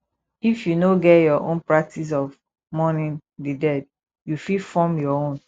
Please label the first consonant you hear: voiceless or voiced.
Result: voiceless